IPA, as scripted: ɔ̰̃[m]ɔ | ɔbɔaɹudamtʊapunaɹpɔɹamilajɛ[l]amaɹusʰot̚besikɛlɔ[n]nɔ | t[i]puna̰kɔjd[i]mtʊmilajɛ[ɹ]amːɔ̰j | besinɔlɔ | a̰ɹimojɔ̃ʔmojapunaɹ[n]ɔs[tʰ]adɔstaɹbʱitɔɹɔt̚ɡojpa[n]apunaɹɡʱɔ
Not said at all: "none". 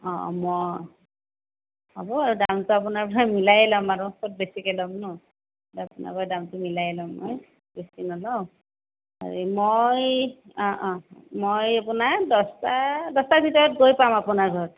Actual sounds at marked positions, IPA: m, l, m, a, a, l, d, t, m

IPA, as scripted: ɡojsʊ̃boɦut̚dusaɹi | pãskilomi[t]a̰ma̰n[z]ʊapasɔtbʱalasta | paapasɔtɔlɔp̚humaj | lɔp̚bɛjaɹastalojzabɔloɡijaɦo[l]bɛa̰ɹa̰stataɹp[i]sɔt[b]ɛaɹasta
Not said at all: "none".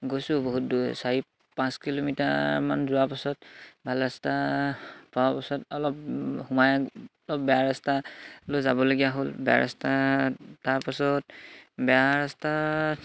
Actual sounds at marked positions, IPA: t, z, l, a, b

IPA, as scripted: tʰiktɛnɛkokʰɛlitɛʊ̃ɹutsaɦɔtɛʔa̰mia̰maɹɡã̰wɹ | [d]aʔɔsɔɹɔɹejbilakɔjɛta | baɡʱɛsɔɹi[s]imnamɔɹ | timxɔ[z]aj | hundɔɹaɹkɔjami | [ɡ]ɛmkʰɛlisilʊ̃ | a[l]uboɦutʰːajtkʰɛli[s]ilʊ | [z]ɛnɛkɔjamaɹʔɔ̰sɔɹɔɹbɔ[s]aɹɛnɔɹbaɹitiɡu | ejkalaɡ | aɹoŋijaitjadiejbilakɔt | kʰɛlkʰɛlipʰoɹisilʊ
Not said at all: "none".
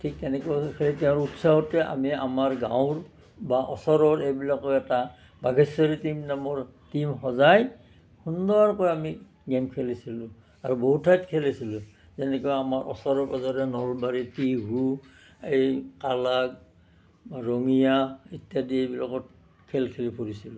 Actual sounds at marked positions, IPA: b, t, z, ɡ, ɹ, s, z, z

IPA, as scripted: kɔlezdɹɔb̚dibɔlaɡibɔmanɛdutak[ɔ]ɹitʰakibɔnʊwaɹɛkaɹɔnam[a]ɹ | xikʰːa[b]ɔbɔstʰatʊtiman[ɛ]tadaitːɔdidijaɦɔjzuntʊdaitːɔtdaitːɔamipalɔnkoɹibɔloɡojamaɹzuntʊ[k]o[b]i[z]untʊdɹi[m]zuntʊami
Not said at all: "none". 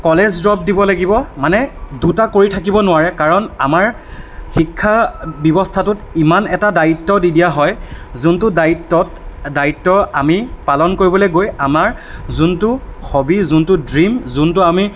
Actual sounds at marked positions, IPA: o, a, b, ɛ, x, b, z, m

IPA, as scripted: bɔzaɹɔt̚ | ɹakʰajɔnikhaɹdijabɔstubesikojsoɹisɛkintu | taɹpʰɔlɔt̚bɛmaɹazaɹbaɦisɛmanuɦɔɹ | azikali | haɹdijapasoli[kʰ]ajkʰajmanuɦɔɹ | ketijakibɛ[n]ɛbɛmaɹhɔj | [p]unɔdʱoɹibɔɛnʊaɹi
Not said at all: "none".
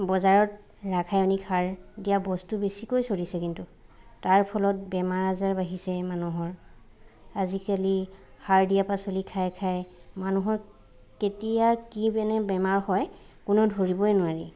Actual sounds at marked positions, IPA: kʰ, n, k

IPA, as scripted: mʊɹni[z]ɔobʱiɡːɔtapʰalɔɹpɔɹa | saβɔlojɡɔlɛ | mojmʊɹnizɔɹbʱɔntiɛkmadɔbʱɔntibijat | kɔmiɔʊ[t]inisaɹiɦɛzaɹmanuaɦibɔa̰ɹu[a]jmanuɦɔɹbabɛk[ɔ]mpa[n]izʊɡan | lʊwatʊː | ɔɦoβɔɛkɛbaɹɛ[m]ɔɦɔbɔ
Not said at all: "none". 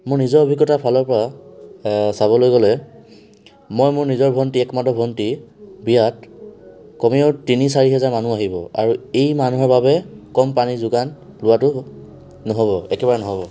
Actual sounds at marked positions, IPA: z, t, e, ɔ, n, n

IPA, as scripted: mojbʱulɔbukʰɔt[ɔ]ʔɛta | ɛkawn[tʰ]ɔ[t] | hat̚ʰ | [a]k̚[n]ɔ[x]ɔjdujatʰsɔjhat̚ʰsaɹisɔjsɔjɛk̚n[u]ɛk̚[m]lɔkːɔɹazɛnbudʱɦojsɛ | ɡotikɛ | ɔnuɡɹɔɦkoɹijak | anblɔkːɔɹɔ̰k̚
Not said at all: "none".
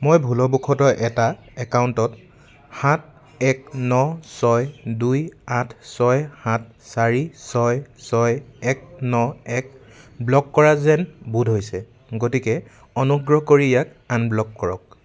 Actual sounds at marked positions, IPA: ɔ, t, t, ɛ, n, s, ɔ, b

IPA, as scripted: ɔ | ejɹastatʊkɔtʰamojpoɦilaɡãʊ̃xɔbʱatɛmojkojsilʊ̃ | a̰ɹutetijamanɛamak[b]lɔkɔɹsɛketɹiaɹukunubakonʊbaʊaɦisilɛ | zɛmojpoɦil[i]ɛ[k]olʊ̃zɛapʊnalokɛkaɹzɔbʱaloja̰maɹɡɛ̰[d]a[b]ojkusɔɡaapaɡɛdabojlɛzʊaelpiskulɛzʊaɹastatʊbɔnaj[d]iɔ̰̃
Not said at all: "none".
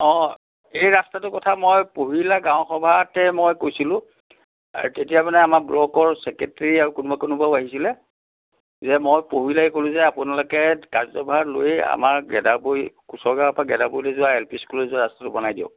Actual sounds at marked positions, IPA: b, a, k, d, b, d

